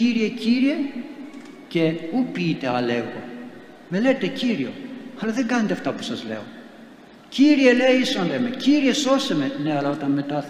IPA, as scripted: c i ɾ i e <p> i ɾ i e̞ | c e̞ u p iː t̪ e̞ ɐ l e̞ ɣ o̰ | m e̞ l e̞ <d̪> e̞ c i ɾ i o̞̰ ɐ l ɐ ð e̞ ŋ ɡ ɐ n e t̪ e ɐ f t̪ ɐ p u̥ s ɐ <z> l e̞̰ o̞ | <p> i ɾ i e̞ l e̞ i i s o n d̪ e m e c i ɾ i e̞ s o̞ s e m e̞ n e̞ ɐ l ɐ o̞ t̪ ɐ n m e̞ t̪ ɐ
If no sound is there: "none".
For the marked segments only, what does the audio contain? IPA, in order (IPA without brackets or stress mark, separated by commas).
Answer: c, t̪, z, c